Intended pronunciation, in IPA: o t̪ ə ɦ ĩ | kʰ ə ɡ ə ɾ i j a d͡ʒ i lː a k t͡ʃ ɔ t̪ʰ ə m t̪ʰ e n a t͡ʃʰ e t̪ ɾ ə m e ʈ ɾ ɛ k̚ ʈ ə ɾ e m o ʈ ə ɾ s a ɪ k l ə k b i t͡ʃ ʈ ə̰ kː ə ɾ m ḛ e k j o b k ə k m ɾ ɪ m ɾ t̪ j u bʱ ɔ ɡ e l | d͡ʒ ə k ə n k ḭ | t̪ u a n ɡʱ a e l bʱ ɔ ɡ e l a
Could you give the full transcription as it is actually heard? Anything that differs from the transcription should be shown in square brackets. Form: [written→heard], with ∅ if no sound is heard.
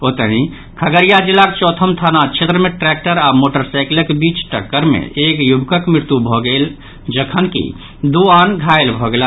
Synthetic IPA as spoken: o t̪ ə ɦ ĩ | kʰ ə ɡ ə ɾ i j a d͡ʒ i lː a k t͡ʃ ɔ t̪ʰ ə m t̪ʰ [e→a] n a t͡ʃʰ e t̪ ɾ ə m e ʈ ɾ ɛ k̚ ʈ ə ɾ [e→a] m o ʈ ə ɾ s a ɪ k l ə k b i t͡ʃ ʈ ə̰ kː ə ɾ m ḛ e k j [o→u] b k ə k m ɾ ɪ [m→∅] ɾ t̪ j u bʱ ɔ ɡ e l | d͡ʒ ə [k→kʰ] ə n k ḭ | [t̪→d̪] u a n ɡʱ a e l bʱ ɔ ɡ e l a